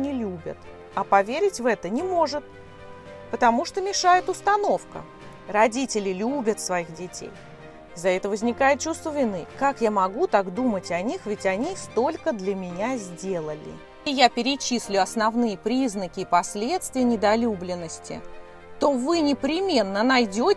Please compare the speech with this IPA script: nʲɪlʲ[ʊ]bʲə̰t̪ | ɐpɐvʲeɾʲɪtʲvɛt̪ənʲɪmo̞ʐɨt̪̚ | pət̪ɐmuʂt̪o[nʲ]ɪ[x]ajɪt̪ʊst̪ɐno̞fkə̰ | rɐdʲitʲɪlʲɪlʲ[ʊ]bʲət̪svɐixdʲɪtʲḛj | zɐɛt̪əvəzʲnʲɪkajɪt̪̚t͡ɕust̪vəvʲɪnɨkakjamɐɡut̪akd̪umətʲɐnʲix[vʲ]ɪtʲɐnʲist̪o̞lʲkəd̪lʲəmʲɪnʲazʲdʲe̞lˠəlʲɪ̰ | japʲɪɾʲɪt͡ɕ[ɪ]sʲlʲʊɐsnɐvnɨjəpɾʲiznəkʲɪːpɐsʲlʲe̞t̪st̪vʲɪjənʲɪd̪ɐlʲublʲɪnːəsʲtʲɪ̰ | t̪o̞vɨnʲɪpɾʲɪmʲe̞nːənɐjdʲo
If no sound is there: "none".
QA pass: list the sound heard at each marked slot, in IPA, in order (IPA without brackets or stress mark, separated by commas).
u, mʲ, ʂ, u, vʲ, i